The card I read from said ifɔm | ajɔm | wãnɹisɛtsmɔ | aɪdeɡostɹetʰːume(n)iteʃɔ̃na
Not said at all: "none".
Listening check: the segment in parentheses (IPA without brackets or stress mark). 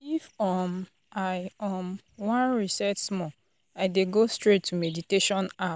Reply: d